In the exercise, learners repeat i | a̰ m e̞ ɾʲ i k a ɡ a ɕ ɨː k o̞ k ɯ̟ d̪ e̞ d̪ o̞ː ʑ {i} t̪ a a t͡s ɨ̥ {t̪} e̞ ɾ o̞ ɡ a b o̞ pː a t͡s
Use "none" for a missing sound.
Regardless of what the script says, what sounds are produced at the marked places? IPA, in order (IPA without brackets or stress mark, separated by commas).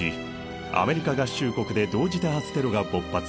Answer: i, t̪